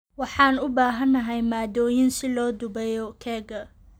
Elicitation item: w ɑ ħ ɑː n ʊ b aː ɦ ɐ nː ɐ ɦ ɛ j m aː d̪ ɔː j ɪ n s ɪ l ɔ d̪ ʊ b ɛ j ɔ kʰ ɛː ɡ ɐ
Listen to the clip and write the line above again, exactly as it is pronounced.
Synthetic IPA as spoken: w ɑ ħ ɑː n ʊ b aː ɦ ɐ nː ɐ ɦ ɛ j m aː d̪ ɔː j ɪ n s ɪ l ɔː d̪ ʊ b ɛ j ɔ kʰ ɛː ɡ ɐ